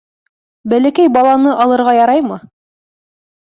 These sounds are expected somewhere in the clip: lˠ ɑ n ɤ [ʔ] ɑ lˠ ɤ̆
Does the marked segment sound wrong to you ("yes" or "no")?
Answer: no